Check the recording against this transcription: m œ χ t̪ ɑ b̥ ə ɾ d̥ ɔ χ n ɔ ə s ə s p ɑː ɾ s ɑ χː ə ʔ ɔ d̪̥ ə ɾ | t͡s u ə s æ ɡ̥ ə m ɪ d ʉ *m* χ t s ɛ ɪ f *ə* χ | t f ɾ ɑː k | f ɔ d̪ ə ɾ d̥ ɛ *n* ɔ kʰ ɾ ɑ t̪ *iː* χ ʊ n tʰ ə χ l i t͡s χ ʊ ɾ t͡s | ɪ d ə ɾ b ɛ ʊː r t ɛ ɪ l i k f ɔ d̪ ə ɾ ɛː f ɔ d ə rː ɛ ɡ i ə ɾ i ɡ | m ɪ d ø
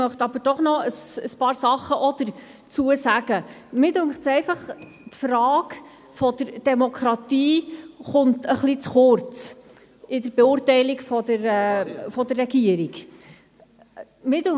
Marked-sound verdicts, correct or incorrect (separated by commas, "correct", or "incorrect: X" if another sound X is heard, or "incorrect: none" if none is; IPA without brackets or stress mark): incorrect: ŋ, incorrect: ɑ, incorrect: m, correct